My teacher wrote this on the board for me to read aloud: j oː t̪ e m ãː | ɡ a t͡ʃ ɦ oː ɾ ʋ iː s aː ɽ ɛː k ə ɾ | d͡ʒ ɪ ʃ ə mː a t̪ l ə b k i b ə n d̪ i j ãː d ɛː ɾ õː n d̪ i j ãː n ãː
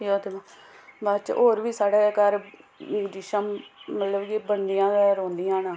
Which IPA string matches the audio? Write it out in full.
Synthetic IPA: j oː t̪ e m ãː | b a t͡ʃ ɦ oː ɾ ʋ iː s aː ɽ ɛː k ə ɾ | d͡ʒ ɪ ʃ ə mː ə t̪ l ə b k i b ə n d̪ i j ãː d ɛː ɾ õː n d̪ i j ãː n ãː